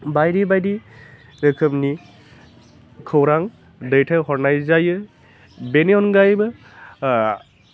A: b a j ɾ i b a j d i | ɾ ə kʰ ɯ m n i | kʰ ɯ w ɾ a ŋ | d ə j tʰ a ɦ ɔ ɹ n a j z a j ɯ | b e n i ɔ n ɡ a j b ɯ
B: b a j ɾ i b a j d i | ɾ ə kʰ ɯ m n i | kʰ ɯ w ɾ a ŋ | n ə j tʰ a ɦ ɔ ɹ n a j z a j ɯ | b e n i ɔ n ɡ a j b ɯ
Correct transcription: A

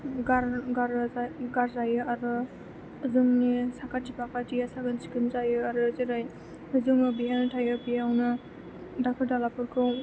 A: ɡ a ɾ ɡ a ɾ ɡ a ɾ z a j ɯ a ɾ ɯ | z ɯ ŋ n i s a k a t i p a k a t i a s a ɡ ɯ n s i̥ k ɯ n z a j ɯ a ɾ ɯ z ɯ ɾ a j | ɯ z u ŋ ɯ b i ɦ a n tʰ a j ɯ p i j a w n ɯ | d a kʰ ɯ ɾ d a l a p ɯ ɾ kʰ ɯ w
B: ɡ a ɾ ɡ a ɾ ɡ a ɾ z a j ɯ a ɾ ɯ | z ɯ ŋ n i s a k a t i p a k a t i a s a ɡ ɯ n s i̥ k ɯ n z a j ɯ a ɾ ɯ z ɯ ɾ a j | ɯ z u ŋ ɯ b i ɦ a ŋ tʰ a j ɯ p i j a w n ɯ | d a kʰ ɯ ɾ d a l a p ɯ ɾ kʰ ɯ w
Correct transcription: A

